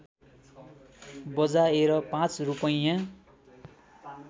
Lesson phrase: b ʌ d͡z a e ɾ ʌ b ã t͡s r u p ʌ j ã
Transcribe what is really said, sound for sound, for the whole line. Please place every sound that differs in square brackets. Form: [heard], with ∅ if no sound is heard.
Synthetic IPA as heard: b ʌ d͡z a e ɾ ʌ [p] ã t͡s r u p ʌ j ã